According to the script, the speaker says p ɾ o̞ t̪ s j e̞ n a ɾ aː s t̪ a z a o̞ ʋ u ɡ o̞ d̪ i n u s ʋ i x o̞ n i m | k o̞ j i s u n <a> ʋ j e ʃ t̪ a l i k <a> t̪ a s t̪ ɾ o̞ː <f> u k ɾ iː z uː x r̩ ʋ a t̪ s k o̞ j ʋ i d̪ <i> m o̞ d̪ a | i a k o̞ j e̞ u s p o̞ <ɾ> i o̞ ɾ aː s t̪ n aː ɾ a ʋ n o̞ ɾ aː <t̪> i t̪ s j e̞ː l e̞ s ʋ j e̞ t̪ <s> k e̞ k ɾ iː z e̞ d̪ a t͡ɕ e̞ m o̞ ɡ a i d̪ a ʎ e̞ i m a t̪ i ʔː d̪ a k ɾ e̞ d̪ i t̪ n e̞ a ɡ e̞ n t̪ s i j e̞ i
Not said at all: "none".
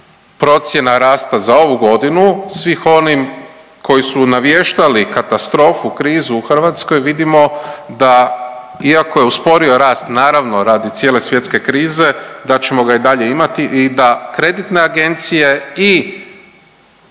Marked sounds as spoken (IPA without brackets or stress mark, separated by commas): a, a, f, i, ɾ, d̪, s